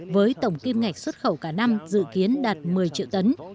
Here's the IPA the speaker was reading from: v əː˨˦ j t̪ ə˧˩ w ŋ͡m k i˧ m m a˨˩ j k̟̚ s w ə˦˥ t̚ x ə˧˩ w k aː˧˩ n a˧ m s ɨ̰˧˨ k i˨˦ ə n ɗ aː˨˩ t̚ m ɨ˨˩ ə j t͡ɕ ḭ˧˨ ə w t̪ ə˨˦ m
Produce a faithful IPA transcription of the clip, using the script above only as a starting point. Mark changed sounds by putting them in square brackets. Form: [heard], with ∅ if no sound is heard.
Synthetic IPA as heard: v əː˨˦ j t̪ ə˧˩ w ŋ͡m k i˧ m [ŋ] a˨˩ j k̟̚ s w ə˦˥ t̚ x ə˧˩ w k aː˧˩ n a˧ m [z] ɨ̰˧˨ k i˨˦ ə n ɗ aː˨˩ t̚ m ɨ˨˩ ə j t͡ɕ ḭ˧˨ ə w t̪ ə˨˦ [n]